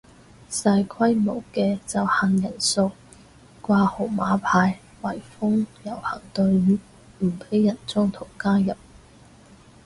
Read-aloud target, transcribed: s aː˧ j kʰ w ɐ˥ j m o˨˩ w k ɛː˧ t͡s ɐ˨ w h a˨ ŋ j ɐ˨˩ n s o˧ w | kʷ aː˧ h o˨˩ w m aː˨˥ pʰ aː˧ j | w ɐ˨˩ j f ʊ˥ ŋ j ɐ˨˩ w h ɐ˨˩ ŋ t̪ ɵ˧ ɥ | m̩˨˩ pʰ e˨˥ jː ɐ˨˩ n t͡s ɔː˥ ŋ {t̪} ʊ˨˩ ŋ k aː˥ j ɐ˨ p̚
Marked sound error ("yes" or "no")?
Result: yes